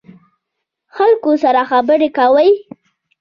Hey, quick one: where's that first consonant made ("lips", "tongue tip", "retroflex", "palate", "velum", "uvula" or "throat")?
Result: velum